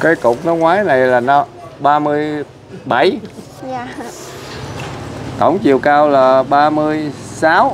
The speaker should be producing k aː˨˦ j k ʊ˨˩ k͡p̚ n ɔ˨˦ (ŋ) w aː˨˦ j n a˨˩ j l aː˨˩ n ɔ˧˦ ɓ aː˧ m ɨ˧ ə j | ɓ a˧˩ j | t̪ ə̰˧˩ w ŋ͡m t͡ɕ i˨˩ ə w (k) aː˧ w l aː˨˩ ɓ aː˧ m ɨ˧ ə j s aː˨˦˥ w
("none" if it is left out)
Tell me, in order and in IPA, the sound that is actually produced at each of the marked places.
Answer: ŋ, k

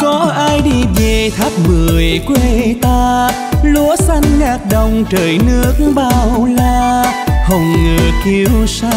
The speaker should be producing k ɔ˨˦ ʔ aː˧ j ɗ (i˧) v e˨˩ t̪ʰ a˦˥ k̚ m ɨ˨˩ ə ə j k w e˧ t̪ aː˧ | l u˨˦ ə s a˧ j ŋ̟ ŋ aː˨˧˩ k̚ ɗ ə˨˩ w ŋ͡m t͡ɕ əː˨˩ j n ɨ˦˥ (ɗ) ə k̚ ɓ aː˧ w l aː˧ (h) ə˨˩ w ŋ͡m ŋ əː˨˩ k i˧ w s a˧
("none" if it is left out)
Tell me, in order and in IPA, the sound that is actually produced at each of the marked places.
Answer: i˧, none, h

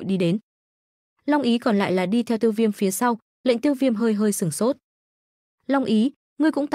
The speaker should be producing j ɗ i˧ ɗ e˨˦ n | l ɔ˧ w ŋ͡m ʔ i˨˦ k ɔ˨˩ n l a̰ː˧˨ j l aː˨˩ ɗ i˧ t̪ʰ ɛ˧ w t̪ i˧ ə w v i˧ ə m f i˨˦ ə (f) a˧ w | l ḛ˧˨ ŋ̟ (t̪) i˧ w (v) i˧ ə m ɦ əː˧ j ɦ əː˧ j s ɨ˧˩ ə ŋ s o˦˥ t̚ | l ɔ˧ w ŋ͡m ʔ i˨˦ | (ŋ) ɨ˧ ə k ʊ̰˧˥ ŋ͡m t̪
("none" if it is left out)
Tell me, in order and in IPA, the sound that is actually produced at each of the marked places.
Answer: s, t̪, v, ŋ

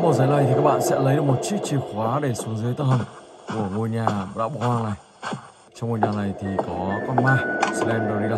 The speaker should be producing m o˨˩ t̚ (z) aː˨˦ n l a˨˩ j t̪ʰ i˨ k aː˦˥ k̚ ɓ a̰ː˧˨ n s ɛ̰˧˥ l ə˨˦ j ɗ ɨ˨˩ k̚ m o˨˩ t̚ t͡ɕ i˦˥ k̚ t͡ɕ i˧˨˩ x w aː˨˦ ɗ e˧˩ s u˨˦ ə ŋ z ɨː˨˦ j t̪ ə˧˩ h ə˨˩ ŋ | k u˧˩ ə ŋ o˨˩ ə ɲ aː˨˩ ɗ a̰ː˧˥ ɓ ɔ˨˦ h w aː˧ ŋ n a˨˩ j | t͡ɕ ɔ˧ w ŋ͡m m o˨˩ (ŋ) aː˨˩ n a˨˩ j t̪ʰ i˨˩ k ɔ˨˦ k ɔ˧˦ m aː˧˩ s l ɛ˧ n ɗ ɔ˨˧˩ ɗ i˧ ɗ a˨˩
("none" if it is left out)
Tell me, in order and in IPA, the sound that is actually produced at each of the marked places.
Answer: z, ɲ

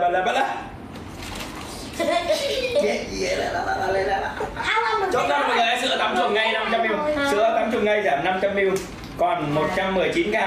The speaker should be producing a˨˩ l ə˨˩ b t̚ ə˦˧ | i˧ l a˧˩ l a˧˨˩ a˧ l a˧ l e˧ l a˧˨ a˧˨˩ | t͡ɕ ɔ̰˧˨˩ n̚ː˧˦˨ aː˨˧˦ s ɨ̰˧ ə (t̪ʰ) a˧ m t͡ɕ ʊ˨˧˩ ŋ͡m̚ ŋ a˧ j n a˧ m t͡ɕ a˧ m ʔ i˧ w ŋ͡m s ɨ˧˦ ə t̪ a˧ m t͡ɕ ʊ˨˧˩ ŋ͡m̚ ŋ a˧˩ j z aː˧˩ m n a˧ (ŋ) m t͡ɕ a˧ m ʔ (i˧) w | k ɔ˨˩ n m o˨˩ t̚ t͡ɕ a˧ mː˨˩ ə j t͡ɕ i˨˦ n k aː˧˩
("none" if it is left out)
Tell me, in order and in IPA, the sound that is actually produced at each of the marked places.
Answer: t̪, none, i˧

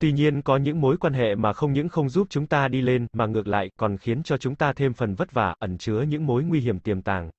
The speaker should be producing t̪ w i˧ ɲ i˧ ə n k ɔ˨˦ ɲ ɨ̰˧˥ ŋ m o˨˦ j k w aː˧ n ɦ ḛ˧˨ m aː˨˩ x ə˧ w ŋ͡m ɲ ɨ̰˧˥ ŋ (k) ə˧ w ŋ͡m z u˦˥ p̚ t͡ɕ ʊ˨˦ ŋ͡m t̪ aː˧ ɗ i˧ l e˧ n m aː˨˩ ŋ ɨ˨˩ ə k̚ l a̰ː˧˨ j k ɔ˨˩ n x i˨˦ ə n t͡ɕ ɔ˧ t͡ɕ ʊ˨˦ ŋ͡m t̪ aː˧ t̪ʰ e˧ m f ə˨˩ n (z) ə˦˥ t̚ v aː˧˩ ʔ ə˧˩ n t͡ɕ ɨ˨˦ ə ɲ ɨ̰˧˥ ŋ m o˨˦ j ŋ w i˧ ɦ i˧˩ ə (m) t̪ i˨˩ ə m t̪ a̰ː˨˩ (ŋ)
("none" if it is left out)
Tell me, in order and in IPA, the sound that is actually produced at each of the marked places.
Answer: x, v, m, ŋ

